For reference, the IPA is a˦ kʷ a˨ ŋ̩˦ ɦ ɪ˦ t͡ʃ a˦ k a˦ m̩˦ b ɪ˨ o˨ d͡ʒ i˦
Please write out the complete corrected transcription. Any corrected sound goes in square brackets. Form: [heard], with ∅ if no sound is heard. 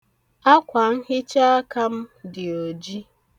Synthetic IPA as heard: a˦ kʷ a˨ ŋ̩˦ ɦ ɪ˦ t͡ʃ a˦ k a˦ m̩˦ [d] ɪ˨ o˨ d͡ʒ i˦